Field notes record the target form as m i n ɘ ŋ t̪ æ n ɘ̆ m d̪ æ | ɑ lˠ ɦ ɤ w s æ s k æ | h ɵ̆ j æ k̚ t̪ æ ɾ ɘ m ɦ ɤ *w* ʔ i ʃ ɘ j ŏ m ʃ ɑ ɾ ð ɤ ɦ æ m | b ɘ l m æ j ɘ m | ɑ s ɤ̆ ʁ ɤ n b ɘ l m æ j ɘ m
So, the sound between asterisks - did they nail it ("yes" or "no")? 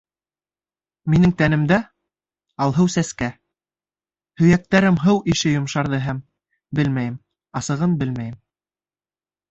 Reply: yes